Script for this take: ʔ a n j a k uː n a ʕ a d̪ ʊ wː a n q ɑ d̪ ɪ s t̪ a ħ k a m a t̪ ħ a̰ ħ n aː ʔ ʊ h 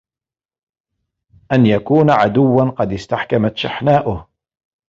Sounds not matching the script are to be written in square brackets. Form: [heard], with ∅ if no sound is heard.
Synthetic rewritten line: ʔ a n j a k uː n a ʕ a d̪ ʊ wː a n q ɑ d̪ ɪ s t̪ a ħ k a m a t̪ [ʃ] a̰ ħ n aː ʔ ʊ h